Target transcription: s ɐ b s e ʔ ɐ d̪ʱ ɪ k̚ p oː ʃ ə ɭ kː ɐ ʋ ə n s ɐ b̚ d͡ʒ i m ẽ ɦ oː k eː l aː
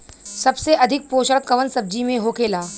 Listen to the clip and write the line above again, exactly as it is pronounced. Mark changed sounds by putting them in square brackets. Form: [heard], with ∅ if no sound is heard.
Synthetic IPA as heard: s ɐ b s e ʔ ɐ d̪ʱ ɪ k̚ p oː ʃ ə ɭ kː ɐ ʋ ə n s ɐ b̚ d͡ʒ i m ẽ ɦ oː k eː l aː